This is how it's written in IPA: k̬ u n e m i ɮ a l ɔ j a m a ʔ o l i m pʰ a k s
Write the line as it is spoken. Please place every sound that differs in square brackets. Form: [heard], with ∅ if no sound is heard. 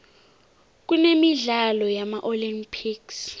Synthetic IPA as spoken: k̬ u n e m i ɮ a l ɔ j a m a ʔ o l i m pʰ [i] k s